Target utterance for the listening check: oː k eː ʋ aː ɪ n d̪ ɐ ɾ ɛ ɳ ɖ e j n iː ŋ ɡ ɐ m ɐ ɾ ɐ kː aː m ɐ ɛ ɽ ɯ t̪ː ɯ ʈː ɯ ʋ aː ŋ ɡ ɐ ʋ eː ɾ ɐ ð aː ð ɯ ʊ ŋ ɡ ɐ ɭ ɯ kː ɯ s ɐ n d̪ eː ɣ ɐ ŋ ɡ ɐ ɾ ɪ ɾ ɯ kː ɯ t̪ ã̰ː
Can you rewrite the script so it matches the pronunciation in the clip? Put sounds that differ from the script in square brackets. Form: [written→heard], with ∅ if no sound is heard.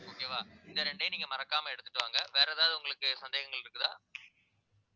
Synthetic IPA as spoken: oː k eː ʋ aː ɪ n d̪ ɐ ɾ ɛ ɳ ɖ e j n iː ŋ ɡ ɐ m ɐ ɾ ɐ kː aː m ɐ ɛ ɽ ɯ t̪ː ɯ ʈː ɯ ʋ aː ŋ ɡ ɐ ʋ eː ɾ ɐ ð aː ð ɯ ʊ ŋ ɡ ɐ ɭ ɯ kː ɯ s ɐ n d̪ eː ɣ ɐ ŋ ɡ ɐ [ɾ→ɭ] ɪ ɾ ɯ kː ɯ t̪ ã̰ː

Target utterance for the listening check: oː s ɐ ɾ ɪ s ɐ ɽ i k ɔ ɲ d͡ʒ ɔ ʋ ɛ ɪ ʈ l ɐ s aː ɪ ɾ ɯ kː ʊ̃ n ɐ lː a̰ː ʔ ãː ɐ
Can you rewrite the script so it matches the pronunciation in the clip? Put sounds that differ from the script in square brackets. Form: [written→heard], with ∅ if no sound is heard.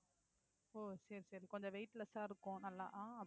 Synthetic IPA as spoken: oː s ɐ ɾ [ɪ→i] s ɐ [ɽ→ɾ] i k ɔ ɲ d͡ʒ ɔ ʋ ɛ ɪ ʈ l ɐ s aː ɪ ɾ ɯ kː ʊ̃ n ɐ lː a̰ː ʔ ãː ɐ

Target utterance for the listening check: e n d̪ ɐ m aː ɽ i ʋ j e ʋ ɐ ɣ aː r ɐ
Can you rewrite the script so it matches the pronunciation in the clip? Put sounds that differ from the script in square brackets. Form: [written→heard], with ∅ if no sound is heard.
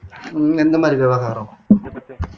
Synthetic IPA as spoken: e n d̪ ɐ m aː [ɽ→ɾ] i ʋ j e ʋ ɐ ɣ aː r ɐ

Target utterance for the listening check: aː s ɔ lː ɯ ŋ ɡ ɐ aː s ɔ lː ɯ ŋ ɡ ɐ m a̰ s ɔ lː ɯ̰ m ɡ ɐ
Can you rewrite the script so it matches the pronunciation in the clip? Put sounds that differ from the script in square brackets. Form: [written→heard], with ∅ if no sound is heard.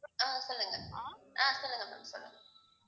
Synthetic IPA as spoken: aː s ɔ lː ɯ ŋ ɡ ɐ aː s ɔ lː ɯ ŋ ɡ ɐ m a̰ s ɔ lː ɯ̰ [m→ŋ] ɡ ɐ

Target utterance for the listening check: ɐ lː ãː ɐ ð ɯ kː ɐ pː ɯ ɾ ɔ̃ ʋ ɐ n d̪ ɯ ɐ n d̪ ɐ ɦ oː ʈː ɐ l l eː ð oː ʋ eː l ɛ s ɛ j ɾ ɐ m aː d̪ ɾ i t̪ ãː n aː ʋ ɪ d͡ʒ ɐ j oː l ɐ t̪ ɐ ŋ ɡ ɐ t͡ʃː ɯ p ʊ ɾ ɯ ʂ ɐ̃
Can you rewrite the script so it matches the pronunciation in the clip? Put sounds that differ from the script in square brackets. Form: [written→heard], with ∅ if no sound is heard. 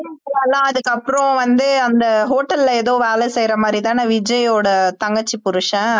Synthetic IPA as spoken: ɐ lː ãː ɐ ð ɯ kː ɐ pː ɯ ɾ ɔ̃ ʋ ɐ n d̪ ɯ ɐ n d̪ ɐ ɦ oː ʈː ɐ l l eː ð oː ʋ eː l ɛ s ɛ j ɾ ɐ m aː d̪ ɾ i t̪ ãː n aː ʋ ɪ d͡ʒ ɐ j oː [l→ɽ] ɐ t̪ ɐ ŋ ɡ ɐ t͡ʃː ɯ p ʊ ɾ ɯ ʂ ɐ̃

